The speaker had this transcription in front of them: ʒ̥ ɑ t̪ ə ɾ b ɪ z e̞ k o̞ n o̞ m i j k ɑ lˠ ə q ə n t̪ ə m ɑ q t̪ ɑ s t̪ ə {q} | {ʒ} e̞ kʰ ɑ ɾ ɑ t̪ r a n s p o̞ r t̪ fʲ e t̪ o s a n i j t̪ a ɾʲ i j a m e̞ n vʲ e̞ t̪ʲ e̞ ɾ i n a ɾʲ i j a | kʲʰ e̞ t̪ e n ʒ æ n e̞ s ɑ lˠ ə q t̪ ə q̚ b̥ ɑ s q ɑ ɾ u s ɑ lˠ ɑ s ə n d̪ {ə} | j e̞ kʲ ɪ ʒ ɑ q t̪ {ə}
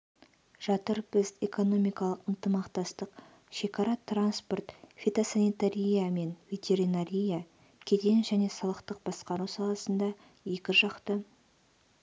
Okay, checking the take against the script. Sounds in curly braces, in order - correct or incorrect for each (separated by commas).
correct, incorrect, incorrect, correct